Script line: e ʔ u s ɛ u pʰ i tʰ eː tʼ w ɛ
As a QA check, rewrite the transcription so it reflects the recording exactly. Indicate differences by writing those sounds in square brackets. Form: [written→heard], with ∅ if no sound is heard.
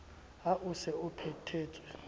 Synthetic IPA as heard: [e→a] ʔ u s ɛ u pʰ [i→ɛ] tʰ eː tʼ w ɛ